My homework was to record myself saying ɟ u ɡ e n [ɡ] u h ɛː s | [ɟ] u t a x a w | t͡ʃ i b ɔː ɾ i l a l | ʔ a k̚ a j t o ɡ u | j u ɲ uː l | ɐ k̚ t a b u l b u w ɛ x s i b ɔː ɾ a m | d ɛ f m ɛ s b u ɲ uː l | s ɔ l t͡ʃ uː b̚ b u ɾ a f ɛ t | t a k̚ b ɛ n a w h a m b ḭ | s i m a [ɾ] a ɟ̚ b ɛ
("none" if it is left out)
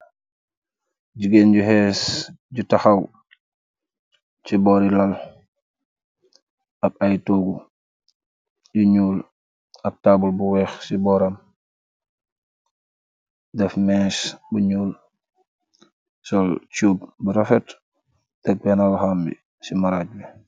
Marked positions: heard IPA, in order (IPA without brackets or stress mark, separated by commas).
ɟ, ɟ, ɾ